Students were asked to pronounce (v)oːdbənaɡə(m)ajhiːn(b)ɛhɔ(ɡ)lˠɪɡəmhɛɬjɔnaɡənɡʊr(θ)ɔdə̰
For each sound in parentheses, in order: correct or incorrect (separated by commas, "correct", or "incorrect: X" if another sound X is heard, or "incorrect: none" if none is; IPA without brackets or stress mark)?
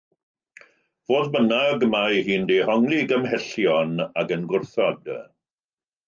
correct, correct, incorrect: d, incorrect: ŋ, correct